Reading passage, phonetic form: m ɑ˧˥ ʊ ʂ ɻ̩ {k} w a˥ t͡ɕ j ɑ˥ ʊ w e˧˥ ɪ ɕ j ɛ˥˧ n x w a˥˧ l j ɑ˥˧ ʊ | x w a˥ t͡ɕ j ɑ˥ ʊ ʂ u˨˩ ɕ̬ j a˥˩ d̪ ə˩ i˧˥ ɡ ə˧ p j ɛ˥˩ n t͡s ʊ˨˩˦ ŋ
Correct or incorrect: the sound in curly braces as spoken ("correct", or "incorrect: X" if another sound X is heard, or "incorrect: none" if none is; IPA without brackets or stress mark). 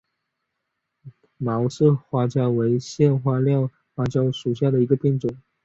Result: incorrect: x